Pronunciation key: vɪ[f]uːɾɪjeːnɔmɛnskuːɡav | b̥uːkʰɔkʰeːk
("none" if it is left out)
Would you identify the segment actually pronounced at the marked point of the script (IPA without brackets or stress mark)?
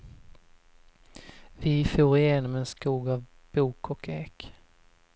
f